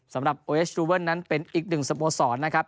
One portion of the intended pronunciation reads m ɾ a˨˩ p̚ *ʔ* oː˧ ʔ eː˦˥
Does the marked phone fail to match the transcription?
no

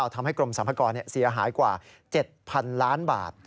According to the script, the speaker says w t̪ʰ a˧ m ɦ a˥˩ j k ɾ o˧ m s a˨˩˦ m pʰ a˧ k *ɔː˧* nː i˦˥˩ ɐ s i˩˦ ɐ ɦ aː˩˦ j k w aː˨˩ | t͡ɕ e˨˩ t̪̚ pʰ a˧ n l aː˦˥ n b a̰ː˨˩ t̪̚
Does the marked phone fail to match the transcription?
no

